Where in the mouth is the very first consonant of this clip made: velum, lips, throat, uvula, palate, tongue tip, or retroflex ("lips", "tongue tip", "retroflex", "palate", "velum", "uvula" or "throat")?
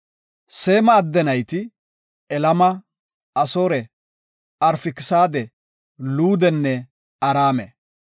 tongue tip